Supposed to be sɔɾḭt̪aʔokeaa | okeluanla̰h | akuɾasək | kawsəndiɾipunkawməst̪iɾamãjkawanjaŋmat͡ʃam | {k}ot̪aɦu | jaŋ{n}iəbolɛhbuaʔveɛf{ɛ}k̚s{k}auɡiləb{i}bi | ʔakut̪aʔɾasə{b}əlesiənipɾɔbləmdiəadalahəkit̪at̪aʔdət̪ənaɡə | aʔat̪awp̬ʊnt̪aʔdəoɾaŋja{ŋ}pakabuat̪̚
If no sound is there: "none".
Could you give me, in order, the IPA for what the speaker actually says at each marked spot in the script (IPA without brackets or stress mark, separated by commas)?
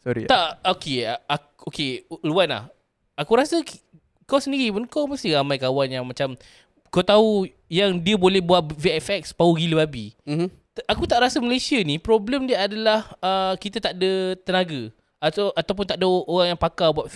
k, d, ɛ, p, a, m, ŋ